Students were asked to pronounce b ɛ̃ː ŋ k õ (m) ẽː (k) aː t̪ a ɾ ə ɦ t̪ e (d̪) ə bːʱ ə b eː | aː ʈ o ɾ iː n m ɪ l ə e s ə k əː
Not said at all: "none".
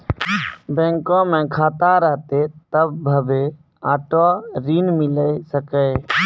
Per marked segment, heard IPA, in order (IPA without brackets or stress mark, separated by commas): m, kʰ, t̪